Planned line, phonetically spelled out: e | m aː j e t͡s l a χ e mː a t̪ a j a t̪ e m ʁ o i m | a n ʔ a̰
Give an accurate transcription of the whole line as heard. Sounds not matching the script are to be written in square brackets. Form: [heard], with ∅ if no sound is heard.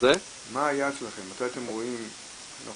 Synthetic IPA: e | m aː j [a] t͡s l a χ e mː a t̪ a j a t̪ e m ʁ o i m | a n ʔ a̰